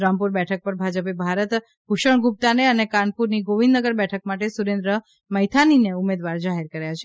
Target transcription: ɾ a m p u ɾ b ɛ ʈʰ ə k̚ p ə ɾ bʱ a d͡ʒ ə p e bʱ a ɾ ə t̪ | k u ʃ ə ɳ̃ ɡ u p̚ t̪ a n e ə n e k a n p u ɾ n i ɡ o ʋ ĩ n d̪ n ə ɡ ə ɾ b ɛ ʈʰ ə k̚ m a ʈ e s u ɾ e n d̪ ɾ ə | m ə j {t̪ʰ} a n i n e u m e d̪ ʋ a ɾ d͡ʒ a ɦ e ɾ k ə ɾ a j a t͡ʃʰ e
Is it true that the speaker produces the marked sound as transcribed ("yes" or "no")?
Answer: yes